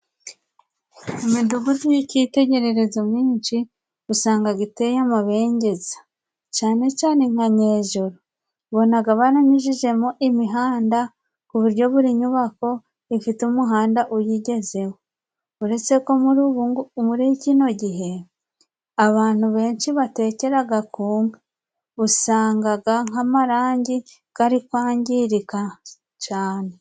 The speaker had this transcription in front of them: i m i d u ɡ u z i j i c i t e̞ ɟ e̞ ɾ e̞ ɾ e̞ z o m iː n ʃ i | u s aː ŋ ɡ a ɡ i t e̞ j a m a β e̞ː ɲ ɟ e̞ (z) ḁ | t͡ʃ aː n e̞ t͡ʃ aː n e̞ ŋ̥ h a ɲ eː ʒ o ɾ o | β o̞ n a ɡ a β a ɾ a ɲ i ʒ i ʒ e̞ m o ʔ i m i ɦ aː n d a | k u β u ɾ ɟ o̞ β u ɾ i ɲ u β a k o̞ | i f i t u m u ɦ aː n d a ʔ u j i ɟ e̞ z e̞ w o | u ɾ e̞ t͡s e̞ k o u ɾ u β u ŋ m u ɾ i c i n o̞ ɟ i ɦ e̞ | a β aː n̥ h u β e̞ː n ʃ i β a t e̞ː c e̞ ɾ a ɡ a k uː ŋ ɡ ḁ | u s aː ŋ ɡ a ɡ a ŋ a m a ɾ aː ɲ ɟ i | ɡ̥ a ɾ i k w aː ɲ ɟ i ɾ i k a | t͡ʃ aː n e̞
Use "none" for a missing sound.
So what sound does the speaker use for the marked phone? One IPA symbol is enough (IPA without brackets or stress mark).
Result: z